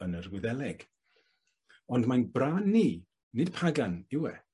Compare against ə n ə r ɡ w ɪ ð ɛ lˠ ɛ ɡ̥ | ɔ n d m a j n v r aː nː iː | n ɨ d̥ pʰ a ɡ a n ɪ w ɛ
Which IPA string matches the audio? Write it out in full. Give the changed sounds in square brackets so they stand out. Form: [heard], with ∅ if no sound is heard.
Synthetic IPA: ə n ə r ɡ w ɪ ð ɛ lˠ ɛ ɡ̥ | ɔ n d m a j n [b] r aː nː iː | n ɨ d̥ pʰ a ɡ a n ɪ w ɛ